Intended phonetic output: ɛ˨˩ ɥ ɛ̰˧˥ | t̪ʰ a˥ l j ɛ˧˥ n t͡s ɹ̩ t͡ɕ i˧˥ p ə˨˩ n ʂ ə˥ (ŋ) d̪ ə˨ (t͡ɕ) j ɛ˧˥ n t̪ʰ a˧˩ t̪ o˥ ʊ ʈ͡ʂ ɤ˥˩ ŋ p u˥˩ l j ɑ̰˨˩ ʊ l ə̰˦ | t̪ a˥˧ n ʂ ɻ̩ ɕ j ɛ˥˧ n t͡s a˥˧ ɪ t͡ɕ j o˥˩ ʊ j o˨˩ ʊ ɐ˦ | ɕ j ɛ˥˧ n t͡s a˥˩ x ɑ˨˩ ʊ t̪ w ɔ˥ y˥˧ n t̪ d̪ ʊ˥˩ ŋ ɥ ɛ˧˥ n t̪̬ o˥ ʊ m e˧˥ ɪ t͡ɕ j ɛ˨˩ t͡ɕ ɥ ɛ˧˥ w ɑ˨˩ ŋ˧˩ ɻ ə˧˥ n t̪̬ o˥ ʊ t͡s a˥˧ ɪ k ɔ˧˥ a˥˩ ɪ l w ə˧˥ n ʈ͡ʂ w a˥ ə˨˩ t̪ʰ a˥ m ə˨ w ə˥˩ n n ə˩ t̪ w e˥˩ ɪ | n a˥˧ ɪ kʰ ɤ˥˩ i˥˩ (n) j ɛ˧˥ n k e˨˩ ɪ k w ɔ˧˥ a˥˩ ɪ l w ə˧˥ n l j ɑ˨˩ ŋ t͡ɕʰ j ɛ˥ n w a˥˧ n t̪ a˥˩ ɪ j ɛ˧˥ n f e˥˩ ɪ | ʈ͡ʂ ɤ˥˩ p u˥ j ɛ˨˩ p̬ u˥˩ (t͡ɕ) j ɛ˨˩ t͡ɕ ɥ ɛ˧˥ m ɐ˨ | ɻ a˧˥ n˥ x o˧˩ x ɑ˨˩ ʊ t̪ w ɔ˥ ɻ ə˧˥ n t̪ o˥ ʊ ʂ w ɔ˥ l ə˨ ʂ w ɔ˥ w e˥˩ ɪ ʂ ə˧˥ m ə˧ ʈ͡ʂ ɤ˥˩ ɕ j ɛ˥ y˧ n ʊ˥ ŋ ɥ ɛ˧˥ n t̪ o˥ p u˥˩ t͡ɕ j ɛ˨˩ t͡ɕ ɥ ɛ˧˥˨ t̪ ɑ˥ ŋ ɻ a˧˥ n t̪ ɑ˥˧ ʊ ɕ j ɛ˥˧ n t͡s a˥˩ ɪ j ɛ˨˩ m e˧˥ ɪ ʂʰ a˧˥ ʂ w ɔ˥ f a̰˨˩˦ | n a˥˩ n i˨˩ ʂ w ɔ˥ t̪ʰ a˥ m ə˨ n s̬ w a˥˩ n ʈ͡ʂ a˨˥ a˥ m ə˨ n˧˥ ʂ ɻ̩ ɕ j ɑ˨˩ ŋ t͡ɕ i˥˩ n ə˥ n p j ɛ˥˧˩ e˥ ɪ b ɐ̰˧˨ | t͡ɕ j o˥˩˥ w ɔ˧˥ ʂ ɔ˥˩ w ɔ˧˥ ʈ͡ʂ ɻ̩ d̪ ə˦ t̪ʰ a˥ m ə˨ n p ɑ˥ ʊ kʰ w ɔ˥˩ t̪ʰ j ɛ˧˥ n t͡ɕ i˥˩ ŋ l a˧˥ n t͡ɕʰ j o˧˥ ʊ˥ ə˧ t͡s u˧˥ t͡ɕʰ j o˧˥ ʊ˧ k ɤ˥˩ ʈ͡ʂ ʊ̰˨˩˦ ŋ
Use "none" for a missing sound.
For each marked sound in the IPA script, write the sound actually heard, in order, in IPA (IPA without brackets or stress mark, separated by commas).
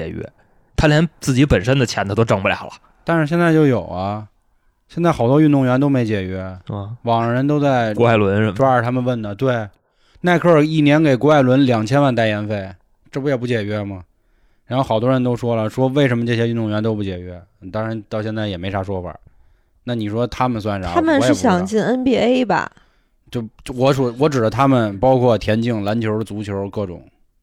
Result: n, t͡ɕʰ, n, t͡ɕ